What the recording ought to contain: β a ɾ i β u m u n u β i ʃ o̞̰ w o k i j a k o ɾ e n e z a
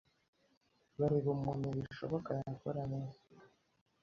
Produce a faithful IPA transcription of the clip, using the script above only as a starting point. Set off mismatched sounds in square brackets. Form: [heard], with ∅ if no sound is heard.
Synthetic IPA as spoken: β a ɾ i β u m u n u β i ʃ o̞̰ [β] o k [a] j a k o ɾ [a] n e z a